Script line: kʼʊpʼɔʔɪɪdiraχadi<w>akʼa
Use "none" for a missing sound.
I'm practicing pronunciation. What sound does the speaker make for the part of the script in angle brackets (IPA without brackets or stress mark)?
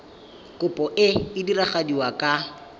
w